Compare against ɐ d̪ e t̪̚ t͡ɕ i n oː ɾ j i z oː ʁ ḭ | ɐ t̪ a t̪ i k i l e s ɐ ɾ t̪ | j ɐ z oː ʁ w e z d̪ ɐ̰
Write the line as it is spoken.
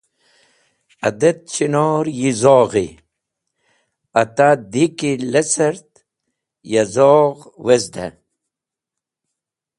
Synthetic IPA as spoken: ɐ d̪ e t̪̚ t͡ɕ i n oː ɾ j i z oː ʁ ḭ | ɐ t̪ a d̪ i k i l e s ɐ ɾ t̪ | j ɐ z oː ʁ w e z d̪ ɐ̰